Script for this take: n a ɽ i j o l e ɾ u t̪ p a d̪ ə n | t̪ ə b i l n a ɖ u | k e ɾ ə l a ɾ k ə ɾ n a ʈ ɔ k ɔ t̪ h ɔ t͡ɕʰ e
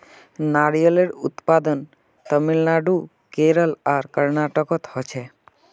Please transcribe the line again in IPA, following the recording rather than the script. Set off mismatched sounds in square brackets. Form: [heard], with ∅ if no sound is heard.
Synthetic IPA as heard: n a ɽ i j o l e ɾ u t̪ p a d̪ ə n | t̪ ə [m] i l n a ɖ u | k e ɾ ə l a ɾ k ə ɾ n a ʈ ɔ k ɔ t̪ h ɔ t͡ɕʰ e